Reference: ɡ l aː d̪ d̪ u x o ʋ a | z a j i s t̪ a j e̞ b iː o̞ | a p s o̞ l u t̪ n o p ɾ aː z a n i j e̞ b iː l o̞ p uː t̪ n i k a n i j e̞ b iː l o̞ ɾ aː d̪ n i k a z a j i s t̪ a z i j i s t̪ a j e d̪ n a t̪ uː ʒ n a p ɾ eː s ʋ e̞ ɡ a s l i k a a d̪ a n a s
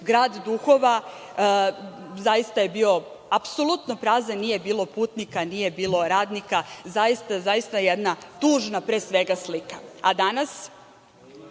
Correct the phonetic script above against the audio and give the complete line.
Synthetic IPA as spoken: ɡ ɾ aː d̪ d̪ u x o ʋ a | z a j i s t̪ a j e̞ b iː o̞ | a p s o̞ l u t̪ n o p ɾ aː z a n i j e̞ b iː l o̞ p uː t̪ n i k a n i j e̞ b iː l o̞ ɾ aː d̪ n i k a z a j i s t̪ a z a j i s t̪ a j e d̪ n a t̪ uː ʒ n a p ɾ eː s ʋ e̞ ɡ a s l i k a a d̪ a n a s